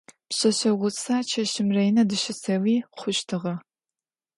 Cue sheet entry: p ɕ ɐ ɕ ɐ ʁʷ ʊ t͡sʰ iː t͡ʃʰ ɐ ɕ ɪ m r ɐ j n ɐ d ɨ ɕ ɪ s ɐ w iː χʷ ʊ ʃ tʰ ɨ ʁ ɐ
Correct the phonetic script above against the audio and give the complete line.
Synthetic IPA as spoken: p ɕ ɐ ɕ ɐ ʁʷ ʊ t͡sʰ aː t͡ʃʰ ɐ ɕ ɪ m r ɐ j n ɐ d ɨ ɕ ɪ s ɐ w iː χʷ ʊ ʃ tʰ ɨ ʁ ɐ